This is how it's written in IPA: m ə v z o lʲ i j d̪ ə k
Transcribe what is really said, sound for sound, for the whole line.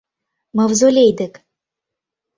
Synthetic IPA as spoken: m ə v z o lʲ e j d̪ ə k